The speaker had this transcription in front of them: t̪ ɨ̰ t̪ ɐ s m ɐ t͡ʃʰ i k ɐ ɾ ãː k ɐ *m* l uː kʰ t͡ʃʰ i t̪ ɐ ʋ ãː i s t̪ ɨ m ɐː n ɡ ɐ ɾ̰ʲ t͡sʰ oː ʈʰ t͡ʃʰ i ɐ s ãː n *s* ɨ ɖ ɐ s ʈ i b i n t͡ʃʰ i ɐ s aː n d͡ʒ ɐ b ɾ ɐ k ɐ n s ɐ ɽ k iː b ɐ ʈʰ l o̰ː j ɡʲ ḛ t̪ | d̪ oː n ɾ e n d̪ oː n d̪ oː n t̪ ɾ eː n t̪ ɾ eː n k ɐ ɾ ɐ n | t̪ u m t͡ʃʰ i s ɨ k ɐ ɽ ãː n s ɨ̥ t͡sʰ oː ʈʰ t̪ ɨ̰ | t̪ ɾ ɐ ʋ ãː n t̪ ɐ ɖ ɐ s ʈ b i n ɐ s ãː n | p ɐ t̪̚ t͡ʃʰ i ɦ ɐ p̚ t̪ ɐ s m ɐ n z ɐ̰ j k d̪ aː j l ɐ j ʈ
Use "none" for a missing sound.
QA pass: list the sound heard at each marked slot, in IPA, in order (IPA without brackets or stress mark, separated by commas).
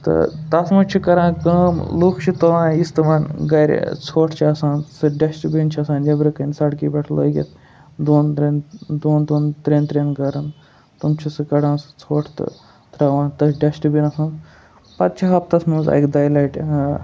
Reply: m, s